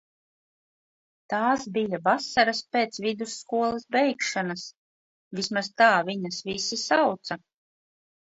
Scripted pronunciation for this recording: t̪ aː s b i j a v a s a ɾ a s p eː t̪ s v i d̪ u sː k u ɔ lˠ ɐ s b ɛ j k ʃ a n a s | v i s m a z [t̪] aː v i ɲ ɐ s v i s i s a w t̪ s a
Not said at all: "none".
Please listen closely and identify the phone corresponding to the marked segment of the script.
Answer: t̪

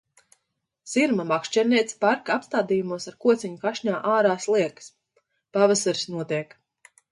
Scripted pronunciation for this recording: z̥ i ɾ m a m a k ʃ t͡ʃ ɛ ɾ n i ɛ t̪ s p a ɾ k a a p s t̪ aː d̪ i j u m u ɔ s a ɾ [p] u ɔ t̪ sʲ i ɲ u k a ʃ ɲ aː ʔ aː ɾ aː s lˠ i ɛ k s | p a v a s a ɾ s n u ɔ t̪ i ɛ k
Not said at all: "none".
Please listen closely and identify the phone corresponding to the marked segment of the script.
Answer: k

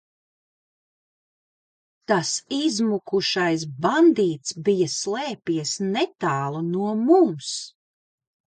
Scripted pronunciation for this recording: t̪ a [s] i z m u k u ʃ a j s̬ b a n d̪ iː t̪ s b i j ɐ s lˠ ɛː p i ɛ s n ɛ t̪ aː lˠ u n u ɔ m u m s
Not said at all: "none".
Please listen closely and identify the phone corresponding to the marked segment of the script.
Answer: s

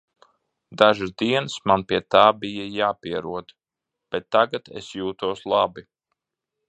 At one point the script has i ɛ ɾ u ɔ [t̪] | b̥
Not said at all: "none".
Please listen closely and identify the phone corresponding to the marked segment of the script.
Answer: d̪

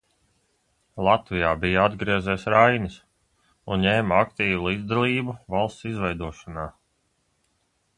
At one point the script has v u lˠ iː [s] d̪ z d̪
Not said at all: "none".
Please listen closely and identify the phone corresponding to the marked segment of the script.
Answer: none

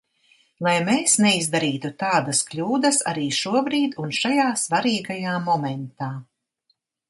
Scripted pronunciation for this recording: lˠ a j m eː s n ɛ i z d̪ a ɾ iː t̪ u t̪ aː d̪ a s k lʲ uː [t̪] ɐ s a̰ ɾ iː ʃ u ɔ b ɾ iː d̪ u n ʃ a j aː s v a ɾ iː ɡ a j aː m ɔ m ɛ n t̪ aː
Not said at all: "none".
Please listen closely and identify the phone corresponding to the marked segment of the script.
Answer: d̪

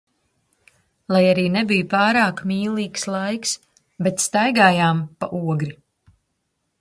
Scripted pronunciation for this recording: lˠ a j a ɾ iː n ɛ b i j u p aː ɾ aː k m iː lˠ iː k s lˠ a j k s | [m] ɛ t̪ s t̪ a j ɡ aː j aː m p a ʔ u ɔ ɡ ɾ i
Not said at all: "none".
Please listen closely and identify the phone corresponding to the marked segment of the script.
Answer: b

